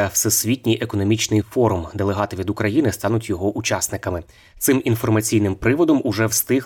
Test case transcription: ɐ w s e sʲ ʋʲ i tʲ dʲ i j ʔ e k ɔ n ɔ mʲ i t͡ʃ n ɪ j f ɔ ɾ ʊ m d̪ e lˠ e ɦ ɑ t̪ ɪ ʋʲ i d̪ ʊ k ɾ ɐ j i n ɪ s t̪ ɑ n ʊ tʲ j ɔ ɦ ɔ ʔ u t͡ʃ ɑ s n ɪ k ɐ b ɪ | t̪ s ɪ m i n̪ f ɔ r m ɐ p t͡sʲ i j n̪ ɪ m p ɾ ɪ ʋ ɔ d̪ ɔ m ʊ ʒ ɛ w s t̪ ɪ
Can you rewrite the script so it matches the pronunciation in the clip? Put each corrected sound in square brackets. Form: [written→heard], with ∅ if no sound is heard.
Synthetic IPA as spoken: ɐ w s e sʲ ʋʲ i tʲ [dʲ→nʲ] i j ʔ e k ɔ n ɔ mʲ i t͡ʃ n ɪ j f ɔ ɾ ʊ m d̪ e lˠ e ɦ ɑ t̪ ɪ ʋʲ i d̪ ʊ k ɾ ɐ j i n ɪ s t̪ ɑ n ʊ tʲ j ɔ ɦ ɔ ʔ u t͡ʃ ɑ s n ɪ k ɐ [b→m] ɪ | t̪ s ɪ m i n̪ f ɔ r m ɐ [p→∅] t͡sʲ i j n̪ ɪ m p ɾ ɪ ʋ ɔ d̪ ɔ m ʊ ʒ ɛ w s t̪ ɪ